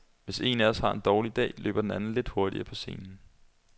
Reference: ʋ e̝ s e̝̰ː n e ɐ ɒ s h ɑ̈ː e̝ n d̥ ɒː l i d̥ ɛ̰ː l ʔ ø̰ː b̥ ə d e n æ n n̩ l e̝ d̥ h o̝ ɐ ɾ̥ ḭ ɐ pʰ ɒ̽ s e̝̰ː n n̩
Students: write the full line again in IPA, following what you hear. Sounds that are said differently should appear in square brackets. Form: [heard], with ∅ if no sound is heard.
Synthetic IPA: ʋ e̝ s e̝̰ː n [æ] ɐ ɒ s h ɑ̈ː e̝ n d̥ ɒː l i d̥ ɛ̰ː l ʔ ø̰ː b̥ [ɐ] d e n æ n n̩ l e̝ d̥ h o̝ ɐ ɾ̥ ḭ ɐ pʰ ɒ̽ s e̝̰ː n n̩